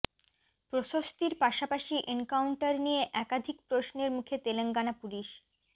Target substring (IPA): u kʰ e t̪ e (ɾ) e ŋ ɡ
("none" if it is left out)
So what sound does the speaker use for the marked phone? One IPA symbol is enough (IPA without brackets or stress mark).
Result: l